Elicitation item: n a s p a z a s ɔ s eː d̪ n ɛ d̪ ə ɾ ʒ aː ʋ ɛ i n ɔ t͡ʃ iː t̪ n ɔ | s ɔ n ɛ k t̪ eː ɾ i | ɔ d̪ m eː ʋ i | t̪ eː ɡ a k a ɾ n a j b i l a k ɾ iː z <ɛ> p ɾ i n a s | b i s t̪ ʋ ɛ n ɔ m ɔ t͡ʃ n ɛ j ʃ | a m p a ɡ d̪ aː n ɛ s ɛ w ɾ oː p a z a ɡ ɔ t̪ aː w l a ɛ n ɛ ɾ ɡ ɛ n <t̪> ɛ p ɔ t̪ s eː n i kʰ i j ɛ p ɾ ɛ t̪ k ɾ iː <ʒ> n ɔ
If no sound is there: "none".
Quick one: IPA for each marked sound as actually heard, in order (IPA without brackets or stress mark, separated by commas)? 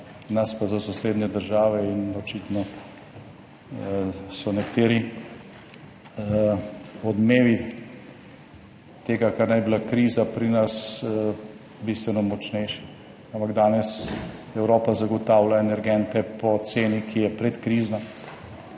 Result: a, t̪, z